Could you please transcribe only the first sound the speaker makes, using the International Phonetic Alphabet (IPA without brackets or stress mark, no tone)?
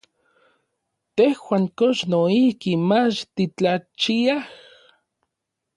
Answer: t̪